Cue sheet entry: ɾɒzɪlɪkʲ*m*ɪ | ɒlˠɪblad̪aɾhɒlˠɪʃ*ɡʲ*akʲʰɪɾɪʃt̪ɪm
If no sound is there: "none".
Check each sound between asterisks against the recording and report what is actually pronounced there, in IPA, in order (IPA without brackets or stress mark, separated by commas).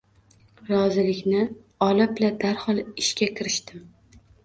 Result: n, kʲ